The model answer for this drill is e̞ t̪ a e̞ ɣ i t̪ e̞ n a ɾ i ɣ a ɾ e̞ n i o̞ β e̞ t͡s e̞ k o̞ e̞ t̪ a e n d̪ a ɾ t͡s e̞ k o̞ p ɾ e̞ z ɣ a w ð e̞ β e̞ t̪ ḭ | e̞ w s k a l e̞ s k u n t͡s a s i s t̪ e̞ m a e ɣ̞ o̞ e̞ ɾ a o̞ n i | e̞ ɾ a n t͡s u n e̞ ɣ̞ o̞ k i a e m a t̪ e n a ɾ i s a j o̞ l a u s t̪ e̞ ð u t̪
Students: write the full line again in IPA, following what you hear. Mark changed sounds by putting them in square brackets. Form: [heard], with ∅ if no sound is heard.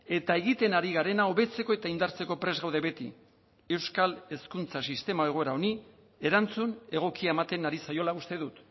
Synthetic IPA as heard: e̞ t̪ a e̞ ɣ i t̪ e̞ n a ɾ i ɣ a ɾ e̞ n [a] o̞ β e̞ t͡s e̞ k o̞ e̞ t̪ a [i] n d̪ a ɾ t͡s e̞ k o̞ p ɾ e̞ z ɣ a w ð e̞ β e̞ t̪ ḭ | e̞ w s k a l e̞ s k u n t͡s a s i s t̪ e̞ m a e ɣ̞ o̞ e̞ ɾ a o̞ n i | e̞ ɾ a n t͡s u n e̞ ɣ̞ o̞ k i a e m a t̪ e n a ɾ i s a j o̞ l a u s t̪ e̞ ð u t̪